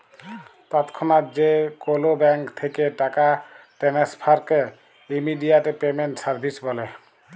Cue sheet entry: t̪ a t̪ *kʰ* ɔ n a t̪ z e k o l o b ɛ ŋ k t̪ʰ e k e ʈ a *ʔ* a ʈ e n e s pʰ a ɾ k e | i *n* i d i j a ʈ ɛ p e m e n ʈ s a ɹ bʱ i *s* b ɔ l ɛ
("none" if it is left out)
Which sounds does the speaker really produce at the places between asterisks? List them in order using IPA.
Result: kʰ, k, m, s

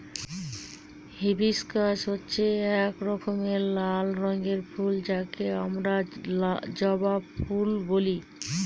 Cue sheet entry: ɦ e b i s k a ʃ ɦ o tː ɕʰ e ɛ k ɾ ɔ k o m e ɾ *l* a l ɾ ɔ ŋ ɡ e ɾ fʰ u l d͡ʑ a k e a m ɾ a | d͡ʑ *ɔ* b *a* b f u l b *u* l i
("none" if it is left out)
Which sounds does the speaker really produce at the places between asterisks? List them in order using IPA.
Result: l, ɔ, a, o

